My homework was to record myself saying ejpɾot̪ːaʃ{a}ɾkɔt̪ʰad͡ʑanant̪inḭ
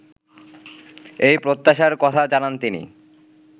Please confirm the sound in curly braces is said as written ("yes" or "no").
yes